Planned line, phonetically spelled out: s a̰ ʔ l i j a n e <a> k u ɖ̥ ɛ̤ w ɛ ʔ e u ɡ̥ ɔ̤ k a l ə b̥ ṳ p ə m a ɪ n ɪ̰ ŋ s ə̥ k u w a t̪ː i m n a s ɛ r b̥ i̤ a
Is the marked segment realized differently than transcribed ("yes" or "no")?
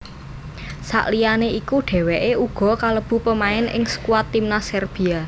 yes